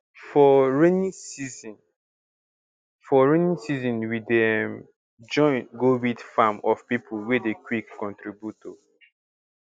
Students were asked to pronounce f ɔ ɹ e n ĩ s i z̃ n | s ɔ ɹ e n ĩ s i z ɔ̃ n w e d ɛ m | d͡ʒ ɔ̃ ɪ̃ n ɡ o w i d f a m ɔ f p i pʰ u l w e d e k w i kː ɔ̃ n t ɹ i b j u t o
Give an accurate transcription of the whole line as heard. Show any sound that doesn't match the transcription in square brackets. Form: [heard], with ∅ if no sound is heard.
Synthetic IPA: f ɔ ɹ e n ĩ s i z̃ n | [f] ɔ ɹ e n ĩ s i z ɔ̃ n w [i] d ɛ m | d͡ʒ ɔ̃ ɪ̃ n ɡ o w i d f a m ɔ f p i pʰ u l w e d e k w i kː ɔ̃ n t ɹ i b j u t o